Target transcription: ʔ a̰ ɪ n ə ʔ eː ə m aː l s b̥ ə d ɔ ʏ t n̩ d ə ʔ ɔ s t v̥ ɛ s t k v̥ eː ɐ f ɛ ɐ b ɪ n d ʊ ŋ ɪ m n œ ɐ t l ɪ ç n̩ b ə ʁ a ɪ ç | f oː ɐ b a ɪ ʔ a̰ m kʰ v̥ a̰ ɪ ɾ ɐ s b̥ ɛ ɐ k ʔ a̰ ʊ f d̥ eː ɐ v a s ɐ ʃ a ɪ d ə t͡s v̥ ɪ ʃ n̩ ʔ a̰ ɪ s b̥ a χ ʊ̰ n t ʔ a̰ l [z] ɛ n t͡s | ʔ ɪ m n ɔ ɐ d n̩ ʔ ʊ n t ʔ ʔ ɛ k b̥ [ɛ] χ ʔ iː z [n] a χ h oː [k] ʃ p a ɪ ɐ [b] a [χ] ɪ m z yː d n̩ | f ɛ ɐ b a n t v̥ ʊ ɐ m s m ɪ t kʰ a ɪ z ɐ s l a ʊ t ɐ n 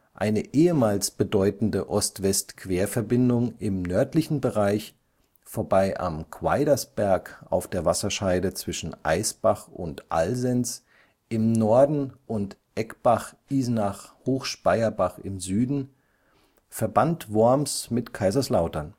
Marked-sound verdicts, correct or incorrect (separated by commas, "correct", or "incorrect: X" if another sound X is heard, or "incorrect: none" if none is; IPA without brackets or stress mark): correct, incorrect: a, correct, incorrect: x, correct, correct